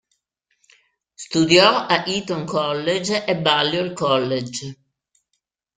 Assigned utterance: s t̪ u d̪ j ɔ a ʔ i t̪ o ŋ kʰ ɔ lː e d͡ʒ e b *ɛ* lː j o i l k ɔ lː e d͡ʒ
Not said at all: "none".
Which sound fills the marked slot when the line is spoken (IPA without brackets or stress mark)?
a